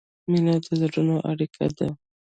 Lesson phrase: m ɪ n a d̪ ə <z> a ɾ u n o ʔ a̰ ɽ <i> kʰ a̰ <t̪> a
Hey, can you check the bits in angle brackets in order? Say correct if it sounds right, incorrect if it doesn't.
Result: correct, correct, incorrect: d̪

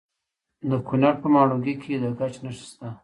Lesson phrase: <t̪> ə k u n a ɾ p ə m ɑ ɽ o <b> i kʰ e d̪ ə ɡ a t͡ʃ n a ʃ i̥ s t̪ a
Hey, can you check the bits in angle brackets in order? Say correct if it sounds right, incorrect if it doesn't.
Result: incorrect: d̪, incorrect: ɡ

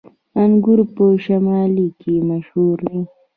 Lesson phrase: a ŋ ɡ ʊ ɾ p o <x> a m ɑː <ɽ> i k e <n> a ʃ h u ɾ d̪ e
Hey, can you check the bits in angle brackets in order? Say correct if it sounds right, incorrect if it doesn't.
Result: incorrect: ʃ, incorrect: l, incorrect: m

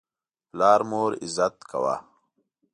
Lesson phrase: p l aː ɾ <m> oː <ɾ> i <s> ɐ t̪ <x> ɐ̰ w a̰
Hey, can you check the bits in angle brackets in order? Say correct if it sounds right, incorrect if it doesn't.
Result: correct, correct, incorrect: z, incorrect: k

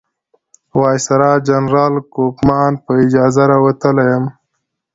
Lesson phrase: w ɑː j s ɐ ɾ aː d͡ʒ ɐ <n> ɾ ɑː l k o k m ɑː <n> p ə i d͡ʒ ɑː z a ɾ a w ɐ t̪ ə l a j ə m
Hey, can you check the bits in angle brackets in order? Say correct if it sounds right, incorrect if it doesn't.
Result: correct, correct

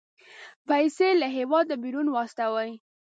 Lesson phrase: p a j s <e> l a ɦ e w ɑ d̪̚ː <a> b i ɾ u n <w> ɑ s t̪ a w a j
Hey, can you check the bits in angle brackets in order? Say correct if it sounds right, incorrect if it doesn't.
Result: correct, incorrect: ə, correct

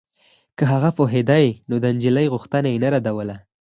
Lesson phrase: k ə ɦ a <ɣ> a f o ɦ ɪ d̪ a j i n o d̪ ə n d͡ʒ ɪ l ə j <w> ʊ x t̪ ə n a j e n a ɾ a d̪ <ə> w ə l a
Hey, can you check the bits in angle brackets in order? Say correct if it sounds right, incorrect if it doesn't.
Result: correct, incorrect: ɣ, incorrect: a

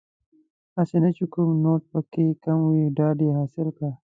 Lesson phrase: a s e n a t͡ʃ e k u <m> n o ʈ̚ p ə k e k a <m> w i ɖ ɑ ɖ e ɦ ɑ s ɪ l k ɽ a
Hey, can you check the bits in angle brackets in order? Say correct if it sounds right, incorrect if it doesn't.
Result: correct, correct

